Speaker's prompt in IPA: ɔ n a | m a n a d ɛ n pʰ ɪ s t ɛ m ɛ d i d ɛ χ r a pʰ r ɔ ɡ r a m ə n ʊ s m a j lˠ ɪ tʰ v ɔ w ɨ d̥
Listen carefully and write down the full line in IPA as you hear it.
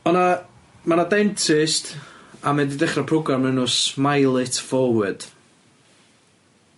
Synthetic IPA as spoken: ɔ n a | m a n a d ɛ n tʰ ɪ s t a m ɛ d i d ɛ χ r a pʰ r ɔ ɡ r a m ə n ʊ s m a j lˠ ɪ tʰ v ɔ w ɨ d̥